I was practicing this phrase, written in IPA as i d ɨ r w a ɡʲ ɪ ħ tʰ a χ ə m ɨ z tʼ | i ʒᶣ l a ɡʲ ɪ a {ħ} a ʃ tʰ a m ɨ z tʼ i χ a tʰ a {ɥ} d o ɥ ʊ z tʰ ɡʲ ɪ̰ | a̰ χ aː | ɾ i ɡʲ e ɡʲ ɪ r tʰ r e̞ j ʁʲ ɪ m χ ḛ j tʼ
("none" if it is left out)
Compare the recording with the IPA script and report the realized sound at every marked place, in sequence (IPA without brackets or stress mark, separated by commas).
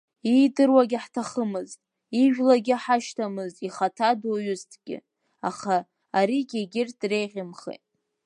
ħ, none